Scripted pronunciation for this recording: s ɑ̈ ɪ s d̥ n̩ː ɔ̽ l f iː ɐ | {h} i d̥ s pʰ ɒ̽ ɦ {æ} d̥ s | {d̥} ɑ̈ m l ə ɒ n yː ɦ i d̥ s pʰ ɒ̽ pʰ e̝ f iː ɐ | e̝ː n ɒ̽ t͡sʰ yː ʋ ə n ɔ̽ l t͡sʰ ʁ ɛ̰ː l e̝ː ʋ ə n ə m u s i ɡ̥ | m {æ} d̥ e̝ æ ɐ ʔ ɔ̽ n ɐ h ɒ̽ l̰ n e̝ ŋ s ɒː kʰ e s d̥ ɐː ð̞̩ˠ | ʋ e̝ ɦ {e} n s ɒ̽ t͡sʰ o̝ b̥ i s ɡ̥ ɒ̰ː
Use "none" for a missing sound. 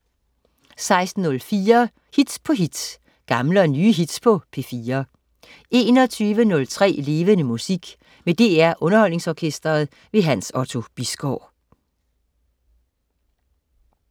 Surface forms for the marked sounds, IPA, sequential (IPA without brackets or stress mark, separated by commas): h, i, ɡ̥, e, æ